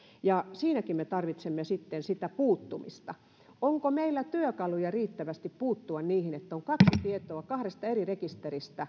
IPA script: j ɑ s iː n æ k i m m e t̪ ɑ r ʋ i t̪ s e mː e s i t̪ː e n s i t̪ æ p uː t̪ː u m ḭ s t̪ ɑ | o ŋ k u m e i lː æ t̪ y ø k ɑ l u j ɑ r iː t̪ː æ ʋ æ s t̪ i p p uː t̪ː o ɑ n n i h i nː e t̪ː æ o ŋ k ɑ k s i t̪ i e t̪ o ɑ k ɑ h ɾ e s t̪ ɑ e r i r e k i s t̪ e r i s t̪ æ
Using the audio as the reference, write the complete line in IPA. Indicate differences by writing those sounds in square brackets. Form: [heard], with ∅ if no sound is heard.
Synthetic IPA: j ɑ s iː n æ k i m m e t̪ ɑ r ʋ i t̪ s e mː e s i t̪ː e n s i t̪ æ p uː t̪ː u m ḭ s t̪ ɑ | o ŋ k [o] m e i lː æ t̪ y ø k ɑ l u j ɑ r iː t̪ː æ ʋ æ s t̪ i p p uː t̪ː [u] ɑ n n [iː] h i [n] e t̪ː æ o ŋ k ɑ k s i t̪ i e t̪ o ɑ k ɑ h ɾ e s t̪ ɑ e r i r e k i s t̪ e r i s t̪ æ

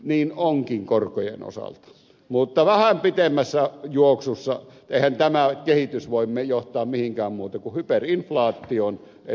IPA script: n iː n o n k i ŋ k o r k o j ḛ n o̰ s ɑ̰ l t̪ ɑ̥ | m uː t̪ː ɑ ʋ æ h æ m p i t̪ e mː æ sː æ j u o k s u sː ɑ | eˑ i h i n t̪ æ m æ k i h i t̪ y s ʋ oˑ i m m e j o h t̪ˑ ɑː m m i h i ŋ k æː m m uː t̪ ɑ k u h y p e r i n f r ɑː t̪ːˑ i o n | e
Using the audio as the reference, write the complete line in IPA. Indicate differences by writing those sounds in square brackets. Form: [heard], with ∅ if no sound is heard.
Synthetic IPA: n iː n o [ŋ] k i ŋ k o r k o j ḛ n o̰ s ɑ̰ l t̪ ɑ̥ | m [u] t̪ː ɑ ʋ æ h æ m p i t̪ e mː æ sː æ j u o k s u sː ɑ | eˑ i h [æ] n t̪ æ m æ k [e] h i t̪ y s ʋ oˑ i m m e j o h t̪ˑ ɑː m m i h i ŋ k æː m m uː t̪ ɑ k u h y p e r i n f [l] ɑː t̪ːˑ i o n | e

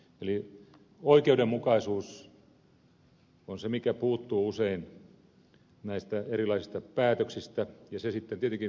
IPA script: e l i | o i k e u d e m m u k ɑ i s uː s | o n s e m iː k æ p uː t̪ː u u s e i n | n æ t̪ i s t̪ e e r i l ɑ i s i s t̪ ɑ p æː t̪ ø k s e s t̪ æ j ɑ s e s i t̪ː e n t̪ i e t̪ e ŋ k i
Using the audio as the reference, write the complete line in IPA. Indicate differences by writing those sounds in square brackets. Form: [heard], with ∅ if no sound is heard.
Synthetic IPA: e l i | o i k e u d e m m u k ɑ i s uː s | o n s e m [i] k æ p uː t̪ː [uː] u s e i n | n æ [∅] i s t̪ [æ] e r i l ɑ i s i s t̪ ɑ p æː t̪ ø k s [i] s t̪ æ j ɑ s e s i t̪ː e n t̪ i e t̪ e ŋ k i

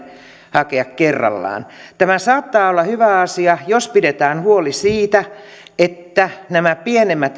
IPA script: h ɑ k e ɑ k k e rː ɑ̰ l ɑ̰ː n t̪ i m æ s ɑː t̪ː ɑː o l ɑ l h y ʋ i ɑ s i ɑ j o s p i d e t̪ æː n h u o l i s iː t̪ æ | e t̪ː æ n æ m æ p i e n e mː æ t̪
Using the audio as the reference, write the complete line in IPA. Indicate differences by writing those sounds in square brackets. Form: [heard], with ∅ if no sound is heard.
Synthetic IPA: h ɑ k e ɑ k k e rː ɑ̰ [lː] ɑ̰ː n t̪ [æ] m æ s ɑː t̪ː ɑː o [lː] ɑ [∅] h y ʋ [æ] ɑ s i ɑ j o s p i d e t̪ æː n h u o l i s iː t̪ æ | e t̪ː æ n æ m æ p i e n e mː æ t̪

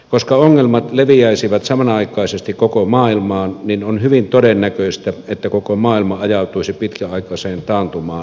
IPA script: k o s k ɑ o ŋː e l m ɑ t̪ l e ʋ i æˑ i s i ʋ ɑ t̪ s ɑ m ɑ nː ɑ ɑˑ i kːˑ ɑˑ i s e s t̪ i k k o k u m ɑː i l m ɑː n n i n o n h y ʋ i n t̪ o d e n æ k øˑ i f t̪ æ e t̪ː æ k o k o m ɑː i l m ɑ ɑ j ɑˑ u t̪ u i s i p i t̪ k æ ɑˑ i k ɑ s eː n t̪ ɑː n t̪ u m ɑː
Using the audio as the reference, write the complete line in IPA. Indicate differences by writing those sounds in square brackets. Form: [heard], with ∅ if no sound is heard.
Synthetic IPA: k o s k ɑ o ŋː e l m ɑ t̪ l e ʋ i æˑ i s i ʋ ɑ t̪ s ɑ m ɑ [n] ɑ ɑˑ i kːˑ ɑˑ i s e s t̪ i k k o k [o] m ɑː i l m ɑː n n i n o n h y ʋ i n t̪ o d e [nː] æ k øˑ i [s] t̪ æ e t̪ː æ k o k o m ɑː i l m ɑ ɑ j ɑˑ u t̪ u i s i p i t̪ k æ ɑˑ i k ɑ s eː n t̪ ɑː n t̪ u m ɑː

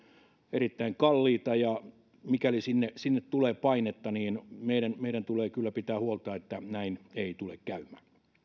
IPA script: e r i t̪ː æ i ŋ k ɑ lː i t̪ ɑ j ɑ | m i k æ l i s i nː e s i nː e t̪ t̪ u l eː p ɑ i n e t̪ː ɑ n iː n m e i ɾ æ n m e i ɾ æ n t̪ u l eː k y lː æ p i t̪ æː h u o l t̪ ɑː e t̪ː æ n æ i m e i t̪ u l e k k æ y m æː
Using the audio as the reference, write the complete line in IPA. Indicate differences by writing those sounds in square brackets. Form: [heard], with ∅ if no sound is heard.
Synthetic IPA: e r i t̪ː æ i ŋ k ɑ lː [iː] t̪ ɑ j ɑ | m i k æ l i s i nː e s i nː e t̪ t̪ u l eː p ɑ i n e t̪ː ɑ n iː n m e i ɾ æ n m e i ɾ æ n t̪ u l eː k y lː æ p i t̪ æː h u o l t̪ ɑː e t̪ː æ n æ i [n] e i t̪ u l e k k æ y m æː

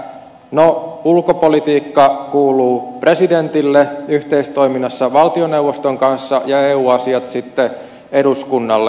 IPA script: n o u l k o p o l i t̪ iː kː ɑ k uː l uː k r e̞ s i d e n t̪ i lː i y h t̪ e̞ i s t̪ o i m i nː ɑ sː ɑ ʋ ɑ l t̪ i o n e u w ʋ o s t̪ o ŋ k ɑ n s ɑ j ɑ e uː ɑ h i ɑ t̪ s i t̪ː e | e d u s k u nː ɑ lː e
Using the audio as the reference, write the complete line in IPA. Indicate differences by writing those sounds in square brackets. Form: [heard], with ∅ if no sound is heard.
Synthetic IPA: n o u l k o p o l i t̪ iː kː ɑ k uː l uː [p] r e̞ s i d e n t̪ i lː [e] y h t̪ e̞ i s t̪ o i m i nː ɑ sː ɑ ʋ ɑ l t̪ i o n e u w ʋ o s t̪ o ŋ k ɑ n [sː] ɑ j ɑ e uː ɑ [s] i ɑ t̪ s i t̪ː e | e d u s k u nː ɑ lː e

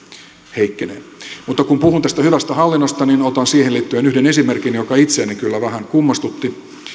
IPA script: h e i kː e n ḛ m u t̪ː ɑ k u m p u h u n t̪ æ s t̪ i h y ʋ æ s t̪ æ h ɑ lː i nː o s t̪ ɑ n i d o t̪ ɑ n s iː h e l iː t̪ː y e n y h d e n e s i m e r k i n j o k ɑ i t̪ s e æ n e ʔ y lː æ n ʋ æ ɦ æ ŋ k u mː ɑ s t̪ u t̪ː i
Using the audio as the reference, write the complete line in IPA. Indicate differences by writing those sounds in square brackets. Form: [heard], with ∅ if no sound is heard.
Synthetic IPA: h e i kː e n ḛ m u t̪ː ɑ k u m p u h u n t̪ æ s t̪ [æ] h y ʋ æ s t̪ æ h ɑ lː i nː o s t̪ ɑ n i [n] o t̪ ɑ n s iː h e l iː t̪ː y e n y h d e n e s i m e r k i n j o k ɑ i t̪ s e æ n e [k] y lː æ [∅] ʋ æ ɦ æ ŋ k u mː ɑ s t̪ u t̪ː i

